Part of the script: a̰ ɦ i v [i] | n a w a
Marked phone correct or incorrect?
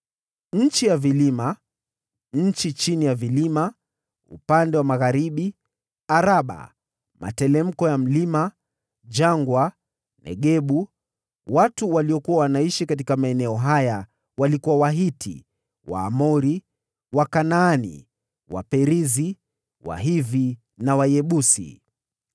correct